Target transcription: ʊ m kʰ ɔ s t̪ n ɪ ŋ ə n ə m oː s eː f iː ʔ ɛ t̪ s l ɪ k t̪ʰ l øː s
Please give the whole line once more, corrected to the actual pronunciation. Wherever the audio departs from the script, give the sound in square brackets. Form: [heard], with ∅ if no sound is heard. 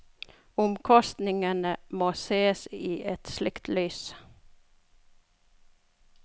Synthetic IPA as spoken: ʊ m kʰ ɔ s t̪ n ɪ ŋ ə n ə m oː s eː [s] iː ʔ ɛ t̪ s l ɪ k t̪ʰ l [yː] s